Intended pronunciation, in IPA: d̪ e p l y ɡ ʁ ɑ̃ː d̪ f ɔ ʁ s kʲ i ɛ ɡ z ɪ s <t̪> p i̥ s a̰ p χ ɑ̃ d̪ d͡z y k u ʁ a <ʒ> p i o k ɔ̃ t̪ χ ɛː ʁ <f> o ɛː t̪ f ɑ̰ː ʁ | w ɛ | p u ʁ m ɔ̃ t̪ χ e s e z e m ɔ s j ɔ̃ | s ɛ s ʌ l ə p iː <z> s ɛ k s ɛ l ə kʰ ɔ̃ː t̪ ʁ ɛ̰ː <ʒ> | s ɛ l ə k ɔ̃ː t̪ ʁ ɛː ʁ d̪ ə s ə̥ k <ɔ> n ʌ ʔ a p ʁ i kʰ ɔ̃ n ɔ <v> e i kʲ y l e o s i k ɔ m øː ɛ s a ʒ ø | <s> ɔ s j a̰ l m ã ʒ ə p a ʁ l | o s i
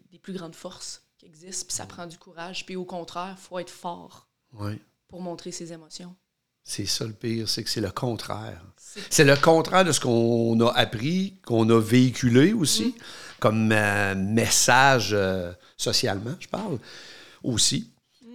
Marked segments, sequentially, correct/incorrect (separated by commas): correct, correct, correct, incorrect, incorrect, incorrect, correct, correct